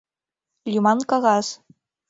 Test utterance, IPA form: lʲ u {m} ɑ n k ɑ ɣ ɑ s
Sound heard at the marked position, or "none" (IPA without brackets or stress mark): m